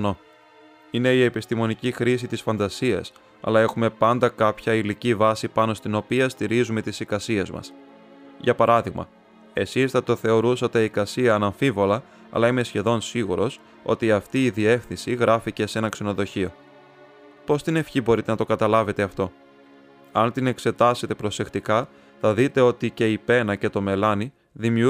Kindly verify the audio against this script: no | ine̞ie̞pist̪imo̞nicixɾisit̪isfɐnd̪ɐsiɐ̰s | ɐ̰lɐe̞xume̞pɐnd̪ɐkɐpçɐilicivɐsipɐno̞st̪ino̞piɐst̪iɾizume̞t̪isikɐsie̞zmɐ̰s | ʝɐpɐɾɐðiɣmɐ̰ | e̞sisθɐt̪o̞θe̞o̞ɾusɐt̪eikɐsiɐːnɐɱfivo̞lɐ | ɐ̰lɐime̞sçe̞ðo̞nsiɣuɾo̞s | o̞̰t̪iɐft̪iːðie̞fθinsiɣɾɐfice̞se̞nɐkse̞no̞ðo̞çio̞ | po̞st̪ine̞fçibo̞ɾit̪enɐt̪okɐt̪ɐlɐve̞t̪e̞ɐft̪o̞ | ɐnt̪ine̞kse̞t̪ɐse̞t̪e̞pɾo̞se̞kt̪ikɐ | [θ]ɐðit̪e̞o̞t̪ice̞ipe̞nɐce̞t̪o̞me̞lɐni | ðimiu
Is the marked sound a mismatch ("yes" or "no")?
no